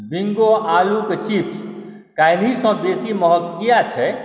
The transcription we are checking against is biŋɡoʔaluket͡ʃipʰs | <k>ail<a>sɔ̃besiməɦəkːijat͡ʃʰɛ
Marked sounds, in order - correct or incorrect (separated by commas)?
correct, incorrect